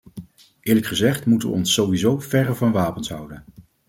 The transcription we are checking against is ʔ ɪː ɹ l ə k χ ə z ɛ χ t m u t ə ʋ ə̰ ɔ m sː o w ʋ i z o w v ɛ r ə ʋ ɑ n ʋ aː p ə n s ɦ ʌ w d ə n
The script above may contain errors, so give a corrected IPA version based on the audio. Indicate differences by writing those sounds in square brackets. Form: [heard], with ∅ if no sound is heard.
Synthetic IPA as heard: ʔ ɪː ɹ l ə k χ ə z ɛ χ t m u t ə ʋ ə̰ ɔ [n] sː o w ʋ i z o w v ɛ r ə [v] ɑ n ʋ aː p ə n s ɦ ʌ w d ə n